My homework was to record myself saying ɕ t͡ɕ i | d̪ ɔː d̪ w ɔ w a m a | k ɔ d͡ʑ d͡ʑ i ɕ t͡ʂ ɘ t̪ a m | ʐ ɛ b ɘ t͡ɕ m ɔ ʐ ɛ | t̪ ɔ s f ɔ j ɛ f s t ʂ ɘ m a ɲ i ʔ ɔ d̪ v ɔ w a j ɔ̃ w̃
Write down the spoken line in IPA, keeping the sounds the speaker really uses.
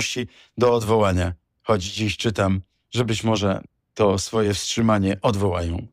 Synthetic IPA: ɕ t͡ɕ i | d̪ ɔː d̪ v ɔ w a ɲ a | x ɔ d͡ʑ d͡ʑ i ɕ t͡ʂ ɘ t̪ a m | ʐ ɛ b ɘ t͡ɕ m ɔ ʐ ɛ | t̪ ɔ s f ɔ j ɛ f s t ʂ ɘ m a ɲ ɛ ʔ ɔ d̪ v ɔ w a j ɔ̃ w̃